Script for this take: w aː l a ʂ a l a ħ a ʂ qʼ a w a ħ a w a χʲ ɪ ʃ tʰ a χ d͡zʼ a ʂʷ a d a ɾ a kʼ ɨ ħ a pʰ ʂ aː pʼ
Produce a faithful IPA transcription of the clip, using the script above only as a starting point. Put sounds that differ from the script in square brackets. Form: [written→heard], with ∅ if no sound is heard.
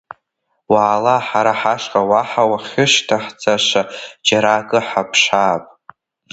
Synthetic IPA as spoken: w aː l a [ʂ→ħ] a [l→ɾ] a ħ a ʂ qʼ a w a ħ a w a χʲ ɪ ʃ tʰ a [χ→ħ] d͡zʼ a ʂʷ a [d→d͡ʒ] a ɾ a kʼ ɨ ħ a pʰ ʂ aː pʼ